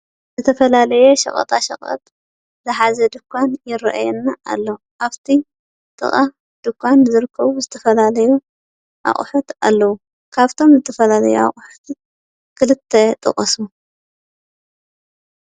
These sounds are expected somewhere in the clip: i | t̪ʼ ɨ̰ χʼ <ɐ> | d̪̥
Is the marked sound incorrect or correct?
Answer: incorrect: a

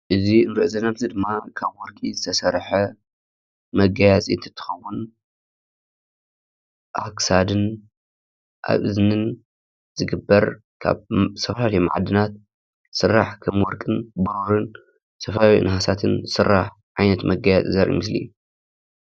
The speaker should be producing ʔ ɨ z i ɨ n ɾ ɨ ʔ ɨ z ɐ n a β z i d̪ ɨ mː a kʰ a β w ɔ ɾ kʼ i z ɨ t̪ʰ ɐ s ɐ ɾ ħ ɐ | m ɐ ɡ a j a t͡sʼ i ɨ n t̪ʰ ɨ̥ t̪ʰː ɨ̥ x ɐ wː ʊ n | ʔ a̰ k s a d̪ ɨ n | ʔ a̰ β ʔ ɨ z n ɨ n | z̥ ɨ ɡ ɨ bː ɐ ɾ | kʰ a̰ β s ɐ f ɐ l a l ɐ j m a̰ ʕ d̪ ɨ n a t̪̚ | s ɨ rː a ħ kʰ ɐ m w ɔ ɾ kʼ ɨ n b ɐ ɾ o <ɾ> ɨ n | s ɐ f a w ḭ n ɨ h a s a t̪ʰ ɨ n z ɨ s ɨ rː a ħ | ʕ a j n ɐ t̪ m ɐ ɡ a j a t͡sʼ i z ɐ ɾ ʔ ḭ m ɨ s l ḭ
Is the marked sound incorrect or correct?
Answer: correct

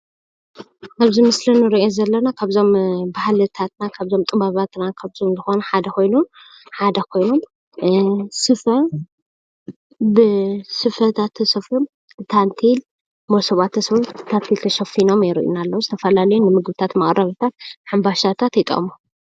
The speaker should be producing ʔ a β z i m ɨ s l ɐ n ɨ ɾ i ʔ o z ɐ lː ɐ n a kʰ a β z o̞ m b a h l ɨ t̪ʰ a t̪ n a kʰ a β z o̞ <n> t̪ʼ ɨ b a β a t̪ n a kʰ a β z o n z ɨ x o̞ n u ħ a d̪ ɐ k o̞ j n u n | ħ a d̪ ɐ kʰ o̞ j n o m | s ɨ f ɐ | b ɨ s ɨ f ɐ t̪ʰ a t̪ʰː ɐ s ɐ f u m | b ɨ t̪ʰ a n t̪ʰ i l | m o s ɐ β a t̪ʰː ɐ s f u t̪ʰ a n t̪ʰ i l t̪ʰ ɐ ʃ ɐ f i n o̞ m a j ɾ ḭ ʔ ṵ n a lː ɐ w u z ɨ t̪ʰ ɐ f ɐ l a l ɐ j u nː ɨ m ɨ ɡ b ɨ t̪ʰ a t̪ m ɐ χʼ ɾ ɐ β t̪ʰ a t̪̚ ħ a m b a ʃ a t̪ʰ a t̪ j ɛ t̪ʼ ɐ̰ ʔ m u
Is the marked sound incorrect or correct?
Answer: incorrect: m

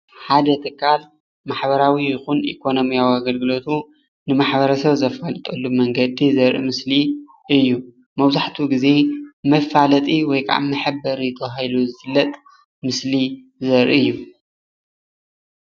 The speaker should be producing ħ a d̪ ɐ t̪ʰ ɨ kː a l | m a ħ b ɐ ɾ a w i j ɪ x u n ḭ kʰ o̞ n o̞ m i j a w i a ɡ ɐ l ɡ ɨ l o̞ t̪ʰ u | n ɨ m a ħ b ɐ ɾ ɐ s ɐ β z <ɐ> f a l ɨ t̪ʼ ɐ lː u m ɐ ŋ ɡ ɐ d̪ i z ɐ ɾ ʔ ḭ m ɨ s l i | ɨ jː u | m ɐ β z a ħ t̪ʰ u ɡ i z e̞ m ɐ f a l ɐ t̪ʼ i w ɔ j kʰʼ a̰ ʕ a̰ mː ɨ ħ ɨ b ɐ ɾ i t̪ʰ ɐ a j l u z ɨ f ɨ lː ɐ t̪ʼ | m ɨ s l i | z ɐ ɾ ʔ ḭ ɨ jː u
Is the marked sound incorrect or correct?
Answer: correct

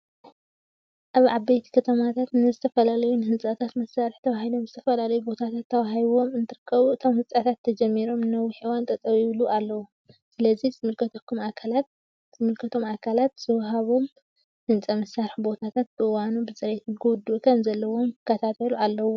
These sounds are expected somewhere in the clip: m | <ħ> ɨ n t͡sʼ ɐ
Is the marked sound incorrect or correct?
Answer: incorrect: h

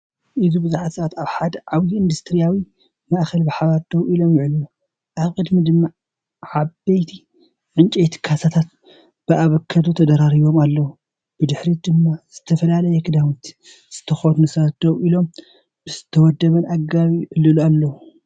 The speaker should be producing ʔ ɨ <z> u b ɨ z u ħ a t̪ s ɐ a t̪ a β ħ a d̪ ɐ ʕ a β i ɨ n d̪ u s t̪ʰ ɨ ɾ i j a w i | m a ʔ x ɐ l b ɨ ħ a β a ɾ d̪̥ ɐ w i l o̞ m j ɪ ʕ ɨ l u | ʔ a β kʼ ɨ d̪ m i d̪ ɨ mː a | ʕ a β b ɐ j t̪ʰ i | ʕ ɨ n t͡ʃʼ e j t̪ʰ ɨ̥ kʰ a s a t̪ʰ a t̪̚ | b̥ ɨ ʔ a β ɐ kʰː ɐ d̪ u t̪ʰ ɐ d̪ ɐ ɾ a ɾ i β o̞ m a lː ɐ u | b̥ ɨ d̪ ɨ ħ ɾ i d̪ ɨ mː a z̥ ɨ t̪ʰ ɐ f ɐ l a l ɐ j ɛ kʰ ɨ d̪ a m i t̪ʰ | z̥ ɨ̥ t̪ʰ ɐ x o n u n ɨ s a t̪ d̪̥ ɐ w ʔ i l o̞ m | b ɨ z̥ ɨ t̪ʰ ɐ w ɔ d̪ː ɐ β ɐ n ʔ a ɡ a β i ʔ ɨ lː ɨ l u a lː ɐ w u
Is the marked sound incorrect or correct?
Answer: correct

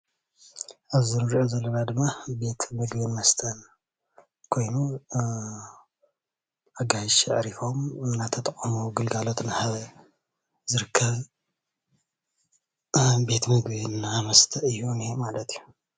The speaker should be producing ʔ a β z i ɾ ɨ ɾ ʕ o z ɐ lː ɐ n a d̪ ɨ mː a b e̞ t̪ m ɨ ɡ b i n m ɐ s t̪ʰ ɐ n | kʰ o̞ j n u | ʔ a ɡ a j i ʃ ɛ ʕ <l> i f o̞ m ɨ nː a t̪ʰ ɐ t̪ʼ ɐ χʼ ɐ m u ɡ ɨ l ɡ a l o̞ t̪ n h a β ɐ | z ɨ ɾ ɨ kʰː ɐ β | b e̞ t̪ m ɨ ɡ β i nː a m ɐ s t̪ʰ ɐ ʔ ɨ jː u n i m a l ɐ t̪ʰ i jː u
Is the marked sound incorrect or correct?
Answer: incorrect: ɾ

